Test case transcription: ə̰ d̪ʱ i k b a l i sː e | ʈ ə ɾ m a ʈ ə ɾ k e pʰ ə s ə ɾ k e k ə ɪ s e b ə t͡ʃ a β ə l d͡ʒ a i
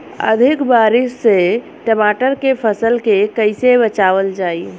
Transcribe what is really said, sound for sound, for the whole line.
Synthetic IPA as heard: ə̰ d̪ʱ i k b a ɾ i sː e | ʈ ə m a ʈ ə ɾ k e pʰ ə s ə l k e k ə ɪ s e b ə t͡ʃ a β ə l d͡ʒ a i